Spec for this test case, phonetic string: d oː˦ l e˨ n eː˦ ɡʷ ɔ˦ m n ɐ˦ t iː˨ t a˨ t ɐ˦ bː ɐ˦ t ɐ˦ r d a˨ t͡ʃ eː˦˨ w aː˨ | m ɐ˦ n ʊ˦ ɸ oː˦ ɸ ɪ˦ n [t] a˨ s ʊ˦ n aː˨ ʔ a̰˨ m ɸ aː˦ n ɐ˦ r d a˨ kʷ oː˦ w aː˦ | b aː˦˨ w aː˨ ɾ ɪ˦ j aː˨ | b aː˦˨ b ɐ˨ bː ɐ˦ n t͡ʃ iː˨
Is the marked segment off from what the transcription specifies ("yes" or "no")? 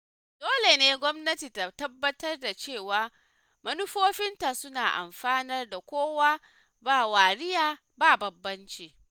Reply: no